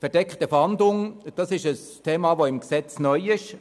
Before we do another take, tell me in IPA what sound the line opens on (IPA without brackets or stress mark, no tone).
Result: f